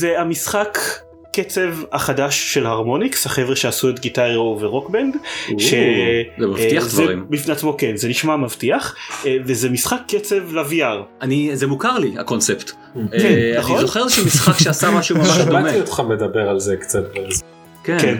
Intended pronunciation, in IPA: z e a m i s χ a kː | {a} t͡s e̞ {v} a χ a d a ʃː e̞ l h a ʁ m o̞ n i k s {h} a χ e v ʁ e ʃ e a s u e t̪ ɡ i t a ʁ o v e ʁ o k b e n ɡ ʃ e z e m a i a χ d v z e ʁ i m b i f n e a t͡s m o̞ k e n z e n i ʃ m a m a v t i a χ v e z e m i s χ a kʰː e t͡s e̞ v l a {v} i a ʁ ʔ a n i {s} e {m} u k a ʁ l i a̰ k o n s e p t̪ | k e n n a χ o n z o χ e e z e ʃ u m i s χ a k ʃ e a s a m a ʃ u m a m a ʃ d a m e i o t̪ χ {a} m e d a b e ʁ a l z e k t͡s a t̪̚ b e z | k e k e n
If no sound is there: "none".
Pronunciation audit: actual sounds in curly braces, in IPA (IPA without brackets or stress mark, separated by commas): e, v, h, v, z, m, a